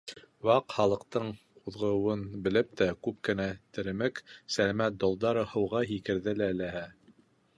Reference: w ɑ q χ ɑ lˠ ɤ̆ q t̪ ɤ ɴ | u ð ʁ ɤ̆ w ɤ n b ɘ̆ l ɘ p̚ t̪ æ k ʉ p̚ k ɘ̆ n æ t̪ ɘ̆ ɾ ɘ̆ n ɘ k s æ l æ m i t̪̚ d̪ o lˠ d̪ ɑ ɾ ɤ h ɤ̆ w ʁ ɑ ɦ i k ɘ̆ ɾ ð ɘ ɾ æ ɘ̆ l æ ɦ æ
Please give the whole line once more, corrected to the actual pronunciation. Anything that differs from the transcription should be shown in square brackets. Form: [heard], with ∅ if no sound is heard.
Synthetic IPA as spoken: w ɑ q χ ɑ lˠ ɤ̆ q t̪ ɤ ɴ | u ð ʁ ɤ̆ w ɤ n b ɘ̆ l ɘ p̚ t̪ æ k ʉ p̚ k ɘ̆ n æ t̪ ɘ̆ ɾ ɘ̆ [m] ɘ k s æ l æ m [æ] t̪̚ d̪ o lˠ d̪ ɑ ɾ ɤ h ɤ̆ w ʁ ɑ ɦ i k ɘ̆ ɾ ð ɘ [l] æ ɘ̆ l æ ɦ æ